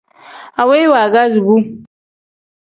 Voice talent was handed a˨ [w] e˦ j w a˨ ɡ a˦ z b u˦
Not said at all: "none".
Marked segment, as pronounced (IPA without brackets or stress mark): w